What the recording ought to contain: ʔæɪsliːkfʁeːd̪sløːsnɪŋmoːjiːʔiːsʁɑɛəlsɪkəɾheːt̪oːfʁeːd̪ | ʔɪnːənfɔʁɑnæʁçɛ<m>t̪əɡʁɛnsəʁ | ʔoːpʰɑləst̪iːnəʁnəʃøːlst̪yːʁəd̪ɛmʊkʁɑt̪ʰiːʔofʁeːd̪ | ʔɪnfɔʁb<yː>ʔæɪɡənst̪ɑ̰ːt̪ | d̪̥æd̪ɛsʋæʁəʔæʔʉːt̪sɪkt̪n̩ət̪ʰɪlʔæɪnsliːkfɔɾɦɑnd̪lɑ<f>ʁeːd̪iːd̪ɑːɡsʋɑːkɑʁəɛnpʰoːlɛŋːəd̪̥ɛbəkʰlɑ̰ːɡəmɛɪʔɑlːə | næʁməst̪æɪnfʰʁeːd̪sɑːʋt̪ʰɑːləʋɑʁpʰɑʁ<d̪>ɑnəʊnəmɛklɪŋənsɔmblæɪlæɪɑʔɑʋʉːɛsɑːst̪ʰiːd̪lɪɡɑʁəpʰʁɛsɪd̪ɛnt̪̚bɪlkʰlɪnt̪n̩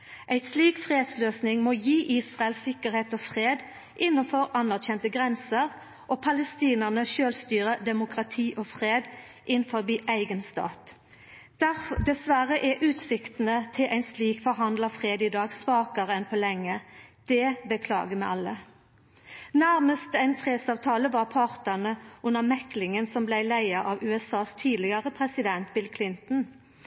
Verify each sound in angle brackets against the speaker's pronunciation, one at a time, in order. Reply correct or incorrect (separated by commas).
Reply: incorrect, incorrect, correct, incorrect